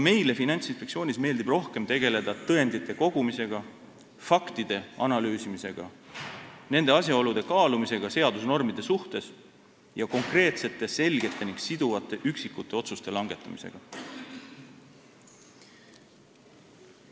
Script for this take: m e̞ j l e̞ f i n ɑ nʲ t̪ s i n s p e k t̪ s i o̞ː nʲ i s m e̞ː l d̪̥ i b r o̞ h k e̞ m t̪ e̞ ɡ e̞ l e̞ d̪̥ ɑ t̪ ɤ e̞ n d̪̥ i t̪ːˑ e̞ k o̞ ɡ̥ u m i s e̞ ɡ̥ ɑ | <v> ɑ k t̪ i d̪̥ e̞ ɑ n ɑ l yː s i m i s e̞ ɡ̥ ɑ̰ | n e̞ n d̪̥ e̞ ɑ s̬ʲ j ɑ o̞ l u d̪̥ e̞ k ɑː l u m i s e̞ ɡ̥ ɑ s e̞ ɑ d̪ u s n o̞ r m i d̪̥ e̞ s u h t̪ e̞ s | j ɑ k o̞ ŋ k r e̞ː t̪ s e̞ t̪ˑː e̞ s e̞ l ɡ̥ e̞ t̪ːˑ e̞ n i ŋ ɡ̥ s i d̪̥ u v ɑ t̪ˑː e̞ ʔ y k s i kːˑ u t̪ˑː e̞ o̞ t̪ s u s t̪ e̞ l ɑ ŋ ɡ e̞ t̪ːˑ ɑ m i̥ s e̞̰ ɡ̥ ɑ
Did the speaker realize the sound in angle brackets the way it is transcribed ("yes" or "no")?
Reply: no